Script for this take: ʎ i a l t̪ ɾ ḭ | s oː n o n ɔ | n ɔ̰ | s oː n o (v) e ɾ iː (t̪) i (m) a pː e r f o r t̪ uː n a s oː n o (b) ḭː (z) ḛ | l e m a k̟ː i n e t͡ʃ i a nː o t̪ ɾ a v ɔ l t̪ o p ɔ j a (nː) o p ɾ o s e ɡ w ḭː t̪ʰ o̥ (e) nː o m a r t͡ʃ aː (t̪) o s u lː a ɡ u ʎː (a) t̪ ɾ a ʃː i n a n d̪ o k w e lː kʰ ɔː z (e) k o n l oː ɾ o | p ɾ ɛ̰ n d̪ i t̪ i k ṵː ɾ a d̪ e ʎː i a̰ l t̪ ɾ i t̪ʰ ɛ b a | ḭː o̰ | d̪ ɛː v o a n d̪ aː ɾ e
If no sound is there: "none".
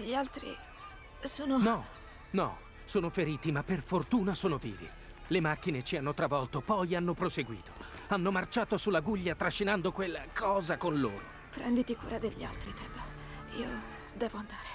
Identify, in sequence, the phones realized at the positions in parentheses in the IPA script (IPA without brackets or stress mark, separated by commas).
f, t̪, m, v, v, nː, a, t̪, a, a